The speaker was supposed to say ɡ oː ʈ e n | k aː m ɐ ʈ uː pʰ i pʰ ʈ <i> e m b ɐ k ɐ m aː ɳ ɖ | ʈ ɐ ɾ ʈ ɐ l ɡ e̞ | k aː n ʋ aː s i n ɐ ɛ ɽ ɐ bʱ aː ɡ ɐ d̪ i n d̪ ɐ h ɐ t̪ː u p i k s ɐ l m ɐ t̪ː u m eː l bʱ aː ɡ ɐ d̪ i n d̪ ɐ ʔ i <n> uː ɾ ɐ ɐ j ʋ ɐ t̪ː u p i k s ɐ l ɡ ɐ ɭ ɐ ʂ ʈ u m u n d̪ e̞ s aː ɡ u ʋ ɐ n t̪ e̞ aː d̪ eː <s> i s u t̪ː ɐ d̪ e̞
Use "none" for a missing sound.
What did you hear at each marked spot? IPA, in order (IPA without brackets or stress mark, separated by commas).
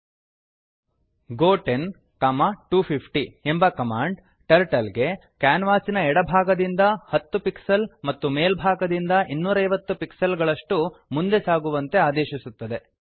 i, nː, ʃ